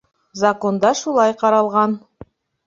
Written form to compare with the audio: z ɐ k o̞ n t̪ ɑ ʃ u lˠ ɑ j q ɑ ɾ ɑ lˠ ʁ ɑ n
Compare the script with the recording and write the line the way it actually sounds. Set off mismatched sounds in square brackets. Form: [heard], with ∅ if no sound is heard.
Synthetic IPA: z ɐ k o̞ n [d̪] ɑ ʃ u lˠ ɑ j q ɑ ɾ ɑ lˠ ʁ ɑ n